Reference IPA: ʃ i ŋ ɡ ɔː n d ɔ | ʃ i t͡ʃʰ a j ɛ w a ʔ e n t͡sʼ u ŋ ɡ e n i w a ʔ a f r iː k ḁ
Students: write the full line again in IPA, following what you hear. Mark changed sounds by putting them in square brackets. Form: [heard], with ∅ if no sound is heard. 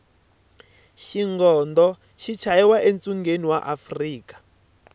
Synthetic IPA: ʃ i ŋ ɡ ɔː n d ɔ | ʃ i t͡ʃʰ a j ɛ w a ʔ e n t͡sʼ u ŋ ɡ e n i w a ʔ a f r iː k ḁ

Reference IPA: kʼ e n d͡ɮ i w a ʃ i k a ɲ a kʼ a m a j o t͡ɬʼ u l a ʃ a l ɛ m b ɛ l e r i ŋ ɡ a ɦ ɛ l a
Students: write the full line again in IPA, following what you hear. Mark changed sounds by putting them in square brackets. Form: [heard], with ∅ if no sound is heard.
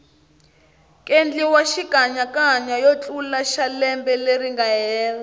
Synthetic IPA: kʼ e n d͡ɮ i w a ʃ i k a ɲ a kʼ a [ɲ] a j o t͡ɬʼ u l a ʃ a l ɛ m b ɛ l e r i ŋ ɡ a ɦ [ɛː] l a

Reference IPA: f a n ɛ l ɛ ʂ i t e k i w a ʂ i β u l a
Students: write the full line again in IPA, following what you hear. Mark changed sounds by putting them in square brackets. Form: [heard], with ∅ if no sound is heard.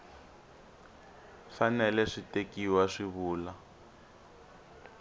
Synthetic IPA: f a n ɛ l ɛ ʂ i t e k i w a ʂ i β [uː] l a

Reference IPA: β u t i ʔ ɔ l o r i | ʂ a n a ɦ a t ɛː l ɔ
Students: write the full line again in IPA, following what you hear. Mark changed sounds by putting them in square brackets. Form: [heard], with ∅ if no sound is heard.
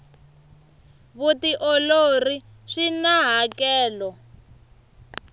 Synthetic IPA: β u t i ʔ ɔ l o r i | ʂ [i] n a ɦ a [k] ɛː l ɔ

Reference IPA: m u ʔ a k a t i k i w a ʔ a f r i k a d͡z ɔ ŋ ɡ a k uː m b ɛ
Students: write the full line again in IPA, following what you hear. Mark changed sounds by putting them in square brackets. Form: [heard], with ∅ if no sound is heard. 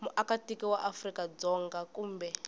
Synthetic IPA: m u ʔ a k a t i k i w a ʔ a f r i k a d͡z ɔ ŋ ɡ a k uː m b ɛ

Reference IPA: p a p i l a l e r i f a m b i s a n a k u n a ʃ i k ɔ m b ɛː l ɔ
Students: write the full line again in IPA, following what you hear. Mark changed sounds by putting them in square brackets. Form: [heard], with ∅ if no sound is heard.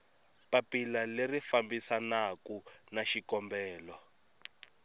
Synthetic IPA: p a p i l a l e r i f a m b i s a n a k u n a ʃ i k ɔ m b ɛː l ɔ

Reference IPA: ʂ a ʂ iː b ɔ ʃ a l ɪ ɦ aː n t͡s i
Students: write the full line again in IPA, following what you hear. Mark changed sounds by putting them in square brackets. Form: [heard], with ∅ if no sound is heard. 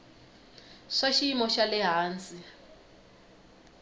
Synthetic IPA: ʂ a [ʃ] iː [m] ɔ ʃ a l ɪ ɦ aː n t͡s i

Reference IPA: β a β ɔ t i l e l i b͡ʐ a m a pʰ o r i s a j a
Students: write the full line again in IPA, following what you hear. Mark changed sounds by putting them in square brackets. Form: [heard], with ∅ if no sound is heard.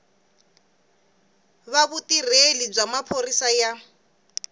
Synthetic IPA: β a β [u] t i [r] e l i b͡ʐ a m a pʰ o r i s a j a

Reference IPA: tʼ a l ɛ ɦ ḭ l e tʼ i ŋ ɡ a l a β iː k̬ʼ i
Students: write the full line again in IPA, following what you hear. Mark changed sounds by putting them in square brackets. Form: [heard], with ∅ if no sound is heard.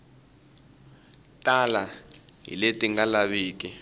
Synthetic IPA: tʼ a l [a] ɦ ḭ l e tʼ i ŋ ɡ a l a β iː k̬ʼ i

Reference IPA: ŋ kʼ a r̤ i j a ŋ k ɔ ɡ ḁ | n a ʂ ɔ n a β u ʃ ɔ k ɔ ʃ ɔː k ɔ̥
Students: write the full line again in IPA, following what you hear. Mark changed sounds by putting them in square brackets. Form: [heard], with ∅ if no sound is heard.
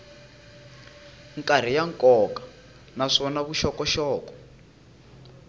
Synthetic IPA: ŋ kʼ a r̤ i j a ŋ k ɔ [k] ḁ | n a ʂ ɔ n a β u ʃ ɔ k ɔ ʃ ɔː k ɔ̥

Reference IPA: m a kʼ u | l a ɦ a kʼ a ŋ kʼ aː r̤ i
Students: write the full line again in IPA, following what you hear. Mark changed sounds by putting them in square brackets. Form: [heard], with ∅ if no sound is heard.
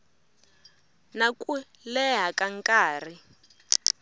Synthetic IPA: [n] a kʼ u | l [ɛ] ɦ a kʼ a ŋ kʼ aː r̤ i

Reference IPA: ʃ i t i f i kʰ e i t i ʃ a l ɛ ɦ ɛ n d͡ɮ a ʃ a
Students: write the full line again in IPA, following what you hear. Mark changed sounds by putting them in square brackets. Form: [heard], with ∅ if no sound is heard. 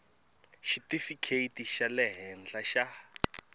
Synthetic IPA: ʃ i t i f i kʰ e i t i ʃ a l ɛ ɦ ɛ n d͡ɮ a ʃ a

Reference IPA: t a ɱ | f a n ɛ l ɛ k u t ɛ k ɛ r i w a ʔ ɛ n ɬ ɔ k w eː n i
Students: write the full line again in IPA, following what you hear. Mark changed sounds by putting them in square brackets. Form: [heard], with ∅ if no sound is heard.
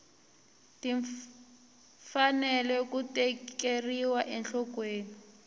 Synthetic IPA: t [i] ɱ | f a n ɛ l ɛ k u t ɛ k [e] r i w a ʔ ɛ n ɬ ɔ k w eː n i

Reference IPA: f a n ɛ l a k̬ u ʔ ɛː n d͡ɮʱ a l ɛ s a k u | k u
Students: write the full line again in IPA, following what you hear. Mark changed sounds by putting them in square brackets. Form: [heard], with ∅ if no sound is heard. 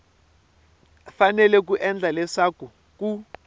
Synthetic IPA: f a n ɛ l [ɛ] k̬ u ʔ [ɛ] n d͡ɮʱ a l ɛ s a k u | k u

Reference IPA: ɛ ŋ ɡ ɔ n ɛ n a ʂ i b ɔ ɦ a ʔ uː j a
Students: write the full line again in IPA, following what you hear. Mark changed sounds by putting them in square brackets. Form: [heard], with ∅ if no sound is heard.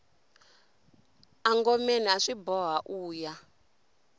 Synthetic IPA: [a] ŋ ɡ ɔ [m] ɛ n a ʂ i b ɔ ɦ a ʔ uː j a

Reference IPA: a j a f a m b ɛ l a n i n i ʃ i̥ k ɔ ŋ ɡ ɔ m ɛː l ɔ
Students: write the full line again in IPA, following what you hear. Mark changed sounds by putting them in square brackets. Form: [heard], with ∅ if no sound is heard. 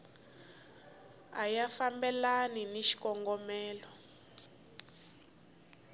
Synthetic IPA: a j a f a m b ɛ l a n i n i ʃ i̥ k ɔ ŋ ɡ ɔ m ɛː l ɔ

